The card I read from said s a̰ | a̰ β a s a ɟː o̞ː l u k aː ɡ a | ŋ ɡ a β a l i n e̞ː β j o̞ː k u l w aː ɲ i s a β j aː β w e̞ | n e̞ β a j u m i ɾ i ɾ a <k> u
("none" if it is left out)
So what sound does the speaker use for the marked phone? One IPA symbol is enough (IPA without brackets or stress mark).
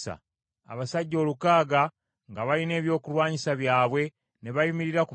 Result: k